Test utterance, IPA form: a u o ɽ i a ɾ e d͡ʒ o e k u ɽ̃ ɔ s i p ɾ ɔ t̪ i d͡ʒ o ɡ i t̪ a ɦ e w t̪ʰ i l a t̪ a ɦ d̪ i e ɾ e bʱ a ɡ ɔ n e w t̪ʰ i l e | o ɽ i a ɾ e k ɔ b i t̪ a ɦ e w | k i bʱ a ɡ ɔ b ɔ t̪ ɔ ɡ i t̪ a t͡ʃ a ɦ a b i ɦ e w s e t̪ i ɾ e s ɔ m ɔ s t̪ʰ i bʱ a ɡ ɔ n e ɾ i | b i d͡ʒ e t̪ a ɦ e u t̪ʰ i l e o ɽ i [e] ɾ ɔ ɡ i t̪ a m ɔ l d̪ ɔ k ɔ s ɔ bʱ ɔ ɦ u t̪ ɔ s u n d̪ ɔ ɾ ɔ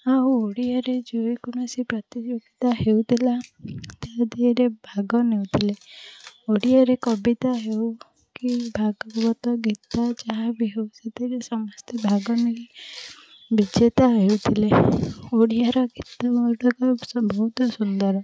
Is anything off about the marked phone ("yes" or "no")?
yes